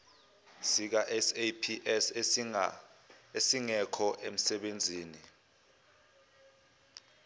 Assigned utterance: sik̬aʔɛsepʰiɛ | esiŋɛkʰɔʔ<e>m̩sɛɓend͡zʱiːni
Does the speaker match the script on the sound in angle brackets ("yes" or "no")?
yes